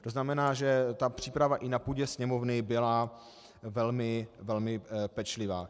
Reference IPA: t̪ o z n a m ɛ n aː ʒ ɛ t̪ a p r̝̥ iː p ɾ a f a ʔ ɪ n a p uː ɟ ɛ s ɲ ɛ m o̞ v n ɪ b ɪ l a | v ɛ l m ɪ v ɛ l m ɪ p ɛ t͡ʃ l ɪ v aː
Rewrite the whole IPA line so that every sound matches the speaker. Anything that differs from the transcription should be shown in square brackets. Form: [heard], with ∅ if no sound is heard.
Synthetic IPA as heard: t̪ o z n a m ɛ n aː ʒ ɛ t̪ a p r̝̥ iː p ɾ a [v] a ʔ ɪ n a p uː ɟ ɛ s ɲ ɛ m o̞ v n ɪ b ɪ l a | v ɛ l m ɪ v ɛ l m ɪ p ɛ t͡ʃ l ɪ v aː